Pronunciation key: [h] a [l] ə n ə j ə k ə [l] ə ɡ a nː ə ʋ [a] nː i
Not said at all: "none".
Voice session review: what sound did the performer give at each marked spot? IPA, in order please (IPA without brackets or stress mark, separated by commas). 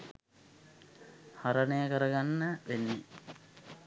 h, ɾ, ɾ, e